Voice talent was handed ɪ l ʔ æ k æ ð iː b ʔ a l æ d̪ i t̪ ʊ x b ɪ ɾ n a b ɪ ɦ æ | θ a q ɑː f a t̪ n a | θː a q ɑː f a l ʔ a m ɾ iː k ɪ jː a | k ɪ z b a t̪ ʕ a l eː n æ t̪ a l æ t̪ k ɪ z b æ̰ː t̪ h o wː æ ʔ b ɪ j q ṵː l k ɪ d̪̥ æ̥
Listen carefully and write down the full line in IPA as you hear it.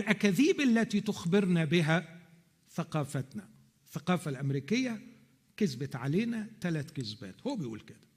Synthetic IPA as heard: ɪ l ʔ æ k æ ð iː b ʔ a lː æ t̪ i t̪ ʊ x b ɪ ɾ n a b ɪ ɦ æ | θ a q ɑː f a t̪ n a | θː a q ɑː f a l ʔ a m ɾ iː k ɪ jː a | k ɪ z b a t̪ ʕ a l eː n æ t̪ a l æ t̪ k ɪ z b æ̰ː t̪ h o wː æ b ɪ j ʔ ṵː l k ɪ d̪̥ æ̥